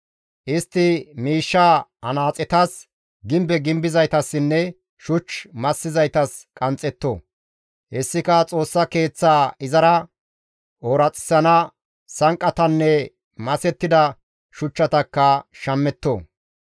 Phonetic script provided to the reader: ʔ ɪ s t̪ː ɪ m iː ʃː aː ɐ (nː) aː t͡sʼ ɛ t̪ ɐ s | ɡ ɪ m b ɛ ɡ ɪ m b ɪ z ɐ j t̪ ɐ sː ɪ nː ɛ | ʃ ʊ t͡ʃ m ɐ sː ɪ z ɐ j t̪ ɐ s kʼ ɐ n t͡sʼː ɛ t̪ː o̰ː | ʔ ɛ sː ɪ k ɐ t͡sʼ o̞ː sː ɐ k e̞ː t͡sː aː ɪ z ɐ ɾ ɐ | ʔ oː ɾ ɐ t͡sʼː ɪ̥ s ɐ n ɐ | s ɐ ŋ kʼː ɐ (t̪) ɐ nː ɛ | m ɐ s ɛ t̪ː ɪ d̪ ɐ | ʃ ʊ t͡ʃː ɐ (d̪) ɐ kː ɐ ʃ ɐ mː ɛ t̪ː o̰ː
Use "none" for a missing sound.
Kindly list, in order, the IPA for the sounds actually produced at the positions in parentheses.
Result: n, t̪, t̪

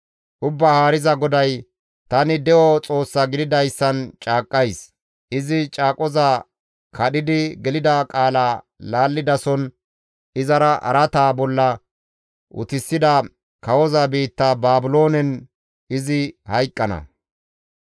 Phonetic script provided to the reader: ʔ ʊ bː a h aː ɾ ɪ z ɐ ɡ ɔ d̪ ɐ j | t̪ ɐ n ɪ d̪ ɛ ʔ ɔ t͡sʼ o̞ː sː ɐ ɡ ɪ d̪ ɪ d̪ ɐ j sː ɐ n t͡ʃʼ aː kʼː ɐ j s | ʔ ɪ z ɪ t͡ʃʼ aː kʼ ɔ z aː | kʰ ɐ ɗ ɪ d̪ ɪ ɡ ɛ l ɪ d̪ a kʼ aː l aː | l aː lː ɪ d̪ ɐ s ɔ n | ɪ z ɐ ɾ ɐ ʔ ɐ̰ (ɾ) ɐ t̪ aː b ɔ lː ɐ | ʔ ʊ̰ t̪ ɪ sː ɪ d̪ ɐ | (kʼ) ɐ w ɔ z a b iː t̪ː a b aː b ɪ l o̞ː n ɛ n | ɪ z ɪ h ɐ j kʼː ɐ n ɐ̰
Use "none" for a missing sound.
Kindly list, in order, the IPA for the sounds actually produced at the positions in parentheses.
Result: ɾ, k

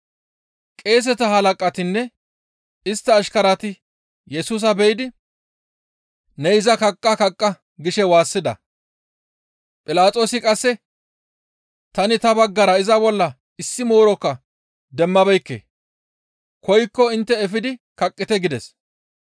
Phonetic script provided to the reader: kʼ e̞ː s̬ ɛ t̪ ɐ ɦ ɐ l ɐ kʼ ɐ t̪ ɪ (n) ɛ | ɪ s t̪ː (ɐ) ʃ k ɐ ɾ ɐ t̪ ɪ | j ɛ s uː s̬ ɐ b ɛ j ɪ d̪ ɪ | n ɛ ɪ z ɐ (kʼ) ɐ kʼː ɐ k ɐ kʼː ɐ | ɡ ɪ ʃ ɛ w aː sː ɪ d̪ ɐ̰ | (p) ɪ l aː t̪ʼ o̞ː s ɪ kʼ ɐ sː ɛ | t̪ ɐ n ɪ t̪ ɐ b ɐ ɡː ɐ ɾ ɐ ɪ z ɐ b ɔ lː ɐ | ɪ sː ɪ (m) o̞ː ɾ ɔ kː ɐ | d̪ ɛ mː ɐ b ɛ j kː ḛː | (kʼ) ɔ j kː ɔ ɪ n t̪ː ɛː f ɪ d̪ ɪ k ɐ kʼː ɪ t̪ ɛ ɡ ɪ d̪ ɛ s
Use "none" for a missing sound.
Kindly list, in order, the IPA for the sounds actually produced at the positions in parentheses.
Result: nː, ɐː, k, pʼ, m, k

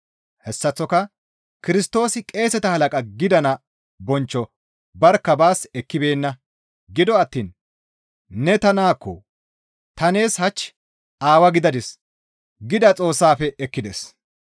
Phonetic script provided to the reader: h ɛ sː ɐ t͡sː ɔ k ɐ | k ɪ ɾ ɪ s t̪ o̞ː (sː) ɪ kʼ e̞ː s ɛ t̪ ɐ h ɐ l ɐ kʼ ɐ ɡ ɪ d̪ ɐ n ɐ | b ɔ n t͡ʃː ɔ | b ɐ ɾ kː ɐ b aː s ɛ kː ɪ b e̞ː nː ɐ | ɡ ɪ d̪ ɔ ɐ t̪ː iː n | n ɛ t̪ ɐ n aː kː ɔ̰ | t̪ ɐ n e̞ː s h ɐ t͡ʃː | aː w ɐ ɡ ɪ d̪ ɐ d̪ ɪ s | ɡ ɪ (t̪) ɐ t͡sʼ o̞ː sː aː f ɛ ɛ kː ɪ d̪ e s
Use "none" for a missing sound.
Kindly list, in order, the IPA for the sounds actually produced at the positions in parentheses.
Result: s, d̪

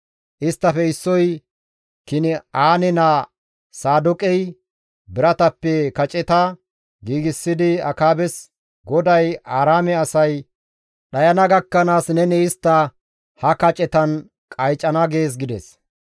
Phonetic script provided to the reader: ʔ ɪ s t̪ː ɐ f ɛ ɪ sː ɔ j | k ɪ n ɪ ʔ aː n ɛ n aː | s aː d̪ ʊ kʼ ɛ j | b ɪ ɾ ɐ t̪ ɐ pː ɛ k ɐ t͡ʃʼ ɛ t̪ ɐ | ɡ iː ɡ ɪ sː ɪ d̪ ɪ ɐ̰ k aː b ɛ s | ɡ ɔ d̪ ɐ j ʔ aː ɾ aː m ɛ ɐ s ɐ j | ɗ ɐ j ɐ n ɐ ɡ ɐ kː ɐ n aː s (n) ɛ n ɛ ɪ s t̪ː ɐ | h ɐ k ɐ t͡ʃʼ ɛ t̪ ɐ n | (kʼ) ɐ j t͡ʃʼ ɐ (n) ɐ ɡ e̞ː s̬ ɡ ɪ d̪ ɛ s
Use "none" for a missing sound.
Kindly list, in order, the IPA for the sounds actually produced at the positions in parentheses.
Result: n, kʼ, n

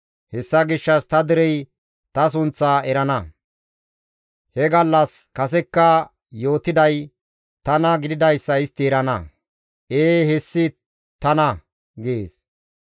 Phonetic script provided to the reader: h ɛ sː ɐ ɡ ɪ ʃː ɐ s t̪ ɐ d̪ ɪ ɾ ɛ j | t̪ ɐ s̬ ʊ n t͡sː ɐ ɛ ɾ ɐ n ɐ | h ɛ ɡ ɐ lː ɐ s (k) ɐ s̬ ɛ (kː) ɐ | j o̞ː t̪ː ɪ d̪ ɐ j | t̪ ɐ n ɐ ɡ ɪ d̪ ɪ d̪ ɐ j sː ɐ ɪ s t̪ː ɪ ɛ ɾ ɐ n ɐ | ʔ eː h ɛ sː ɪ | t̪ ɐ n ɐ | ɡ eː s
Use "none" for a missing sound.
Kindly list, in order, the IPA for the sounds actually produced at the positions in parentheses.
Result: k, kː

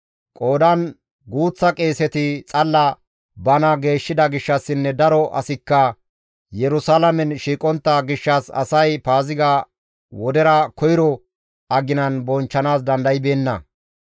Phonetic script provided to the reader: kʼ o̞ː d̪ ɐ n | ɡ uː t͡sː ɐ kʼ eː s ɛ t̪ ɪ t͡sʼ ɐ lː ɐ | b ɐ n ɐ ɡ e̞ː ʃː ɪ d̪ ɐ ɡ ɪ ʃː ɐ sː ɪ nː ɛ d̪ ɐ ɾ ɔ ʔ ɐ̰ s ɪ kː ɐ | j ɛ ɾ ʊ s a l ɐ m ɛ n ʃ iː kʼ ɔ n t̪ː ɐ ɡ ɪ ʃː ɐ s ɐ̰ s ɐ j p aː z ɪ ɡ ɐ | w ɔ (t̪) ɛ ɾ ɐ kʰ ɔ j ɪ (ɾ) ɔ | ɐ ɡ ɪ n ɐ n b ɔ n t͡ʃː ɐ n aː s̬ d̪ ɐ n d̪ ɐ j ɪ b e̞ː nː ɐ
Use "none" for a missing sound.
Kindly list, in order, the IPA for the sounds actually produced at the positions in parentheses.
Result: d̪, ɾ

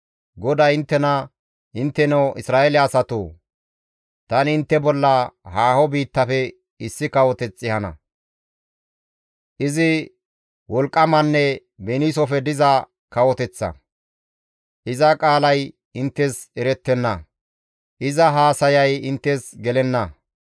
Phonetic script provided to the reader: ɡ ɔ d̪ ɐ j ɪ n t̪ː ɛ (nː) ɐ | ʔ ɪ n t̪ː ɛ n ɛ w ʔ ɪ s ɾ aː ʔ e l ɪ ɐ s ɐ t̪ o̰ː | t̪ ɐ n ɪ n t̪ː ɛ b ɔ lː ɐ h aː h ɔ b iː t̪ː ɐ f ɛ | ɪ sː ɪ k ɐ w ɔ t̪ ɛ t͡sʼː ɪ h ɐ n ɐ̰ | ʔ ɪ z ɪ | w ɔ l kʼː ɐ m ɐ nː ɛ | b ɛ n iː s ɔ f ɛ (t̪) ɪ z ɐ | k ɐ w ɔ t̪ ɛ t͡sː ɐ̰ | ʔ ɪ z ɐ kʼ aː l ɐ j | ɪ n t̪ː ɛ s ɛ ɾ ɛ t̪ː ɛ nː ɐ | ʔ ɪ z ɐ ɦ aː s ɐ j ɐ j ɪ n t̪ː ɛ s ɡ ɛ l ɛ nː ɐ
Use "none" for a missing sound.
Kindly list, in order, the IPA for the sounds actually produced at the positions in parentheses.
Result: n, d̪

